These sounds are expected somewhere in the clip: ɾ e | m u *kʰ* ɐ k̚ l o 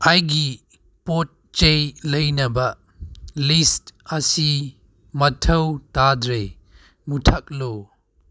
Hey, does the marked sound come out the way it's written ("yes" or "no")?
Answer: no